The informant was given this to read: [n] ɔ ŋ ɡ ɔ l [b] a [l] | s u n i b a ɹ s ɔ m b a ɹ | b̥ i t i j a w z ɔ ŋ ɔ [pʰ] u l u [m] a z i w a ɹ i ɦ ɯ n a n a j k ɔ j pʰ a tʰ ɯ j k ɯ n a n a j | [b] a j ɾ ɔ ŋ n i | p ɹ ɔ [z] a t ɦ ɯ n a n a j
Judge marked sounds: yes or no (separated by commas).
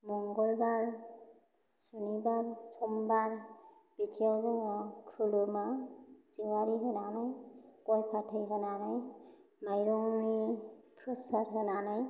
no, yes, no, no, yes, no, no